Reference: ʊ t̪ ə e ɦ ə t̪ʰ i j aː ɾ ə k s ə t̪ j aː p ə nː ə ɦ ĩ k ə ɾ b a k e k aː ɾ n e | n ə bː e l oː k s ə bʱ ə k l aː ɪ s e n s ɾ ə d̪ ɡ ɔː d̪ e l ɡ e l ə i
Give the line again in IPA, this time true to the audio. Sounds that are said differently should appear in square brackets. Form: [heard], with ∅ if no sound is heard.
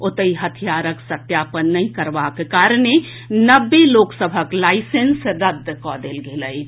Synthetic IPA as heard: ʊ t̪ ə [i] ɦ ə t̪ʰ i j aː ɾ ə k s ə t̪ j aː p ə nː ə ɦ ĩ k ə ɾ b a k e k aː ɾ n e | n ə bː e l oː k s ə bʱ ə k l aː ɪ s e n s ɾ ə d̪ [k] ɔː d̪ e l ɡ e l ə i